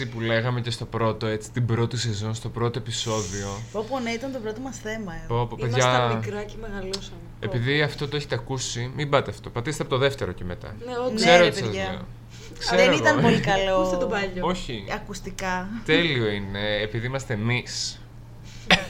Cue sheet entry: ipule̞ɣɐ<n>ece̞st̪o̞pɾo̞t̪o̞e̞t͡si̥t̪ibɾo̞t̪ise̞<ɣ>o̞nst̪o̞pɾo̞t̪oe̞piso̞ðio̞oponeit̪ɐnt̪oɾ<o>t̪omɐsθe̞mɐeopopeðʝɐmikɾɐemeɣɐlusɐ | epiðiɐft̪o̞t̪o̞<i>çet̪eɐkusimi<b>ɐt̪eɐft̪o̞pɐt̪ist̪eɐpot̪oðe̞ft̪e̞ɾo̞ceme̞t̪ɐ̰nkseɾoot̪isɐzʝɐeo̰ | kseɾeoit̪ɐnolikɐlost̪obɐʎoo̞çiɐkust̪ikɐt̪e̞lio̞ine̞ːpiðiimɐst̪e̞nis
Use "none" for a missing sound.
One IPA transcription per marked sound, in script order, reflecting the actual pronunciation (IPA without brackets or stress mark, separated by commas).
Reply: m, z, o, e, b